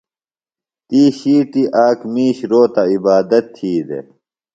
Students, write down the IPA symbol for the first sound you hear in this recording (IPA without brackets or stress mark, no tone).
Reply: t̪